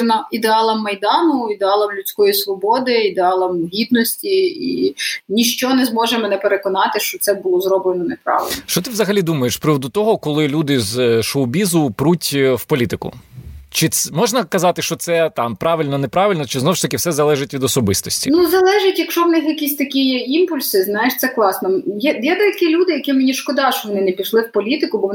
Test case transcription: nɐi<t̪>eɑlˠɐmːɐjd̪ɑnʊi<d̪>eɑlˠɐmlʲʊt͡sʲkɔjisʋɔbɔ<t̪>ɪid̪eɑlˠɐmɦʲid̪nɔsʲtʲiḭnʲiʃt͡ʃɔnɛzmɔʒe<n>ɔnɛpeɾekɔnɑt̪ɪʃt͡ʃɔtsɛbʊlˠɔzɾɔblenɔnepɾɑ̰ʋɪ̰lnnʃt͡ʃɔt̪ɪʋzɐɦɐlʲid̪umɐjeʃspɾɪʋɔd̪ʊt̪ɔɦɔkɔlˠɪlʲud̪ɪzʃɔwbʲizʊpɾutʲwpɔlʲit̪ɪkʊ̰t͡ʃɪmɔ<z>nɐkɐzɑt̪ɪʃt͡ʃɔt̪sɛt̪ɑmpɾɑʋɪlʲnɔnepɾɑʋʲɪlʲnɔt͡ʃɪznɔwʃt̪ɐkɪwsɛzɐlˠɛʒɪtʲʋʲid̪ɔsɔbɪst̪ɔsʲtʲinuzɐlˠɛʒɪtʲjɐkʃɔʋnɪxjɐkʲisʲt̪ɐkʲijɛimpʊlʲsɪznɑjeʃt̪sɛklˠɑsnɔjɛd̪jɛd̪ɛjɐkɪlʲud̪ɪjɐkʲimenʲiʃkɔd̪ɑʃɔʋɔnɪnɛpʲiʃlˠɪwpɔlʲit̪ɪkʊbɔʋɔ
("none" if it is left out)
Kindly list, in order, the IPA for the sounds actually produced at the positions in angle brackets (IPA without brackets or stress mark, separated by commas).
d̪, d̪, d̪, m, ʒ